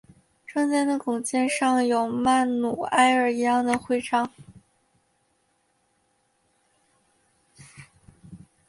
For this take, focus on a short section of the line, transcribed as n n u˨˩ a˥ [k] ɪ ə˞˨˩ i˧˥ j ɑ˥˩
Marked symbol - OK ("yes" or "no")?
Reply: no